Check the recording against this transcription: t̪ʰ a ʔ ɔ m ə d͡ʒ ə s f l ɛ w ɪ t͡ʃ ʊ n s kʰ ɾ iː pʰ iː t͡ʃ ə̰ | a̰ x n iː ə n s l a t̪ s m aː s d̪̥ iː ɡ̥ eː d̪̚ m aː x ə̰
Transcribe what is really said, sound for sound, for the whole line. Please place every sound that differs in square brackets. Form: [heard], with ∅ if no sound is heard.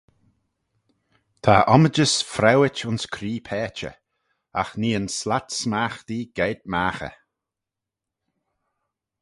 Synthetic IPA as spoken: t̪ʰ a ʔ ɔ m ə d͡ʒ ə s f [ɾ] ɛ w ɪ t͡ʃ ʊ n s kʰ ɾ iː pʰ [ɛː] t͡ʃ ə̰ | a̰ x n iː ə n s l a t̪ s m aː [x] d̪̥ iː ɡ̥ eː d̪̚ m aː x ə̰